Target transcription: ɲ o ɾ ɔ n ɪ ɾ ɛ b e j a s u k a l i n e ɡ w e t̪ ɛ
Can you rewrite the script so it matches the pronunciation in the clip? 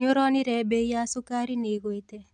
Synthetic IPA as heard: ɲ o ɾ ɔ n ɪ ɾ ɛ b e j a s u k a ɾ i n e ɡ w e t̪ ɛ